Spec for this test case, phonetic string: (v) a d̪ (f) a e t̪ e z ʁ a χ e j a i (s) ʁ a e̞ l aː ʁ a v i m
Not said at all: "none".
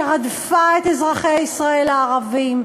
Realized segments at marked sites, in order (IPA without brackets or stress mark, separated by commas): ʁ, f, s